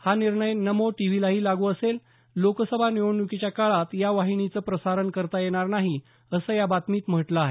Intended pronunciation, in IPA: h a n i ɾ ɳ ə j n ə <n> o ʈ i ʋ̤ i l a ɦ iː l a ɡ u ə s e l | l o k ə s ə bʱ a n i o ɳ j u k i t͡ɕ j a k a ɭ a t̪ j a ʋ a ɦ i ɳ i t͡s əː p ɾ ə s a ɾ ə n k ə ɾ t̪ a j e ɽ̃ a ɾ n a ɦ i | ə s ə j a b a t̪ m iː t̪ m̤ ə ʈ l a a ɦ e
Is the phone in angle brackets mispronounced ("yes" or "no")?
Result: yes